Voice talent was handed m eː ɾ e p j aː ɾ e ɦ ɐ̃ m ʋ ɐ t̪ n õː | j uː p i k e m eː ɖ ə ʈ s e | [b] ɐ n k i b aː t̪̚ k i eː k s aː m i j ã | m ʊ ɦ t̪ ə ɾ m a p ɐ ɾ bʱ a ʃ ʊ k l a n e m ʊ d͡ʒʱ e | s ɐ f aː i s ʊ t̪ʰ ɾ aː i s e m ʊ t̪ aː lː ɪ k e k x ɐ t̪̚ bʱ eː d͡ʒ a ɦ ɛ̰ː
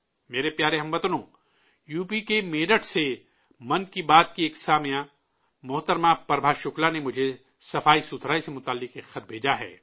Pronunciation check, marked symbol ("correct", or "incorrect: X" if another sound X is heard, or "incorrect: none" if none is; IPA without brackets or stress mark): incorrect: m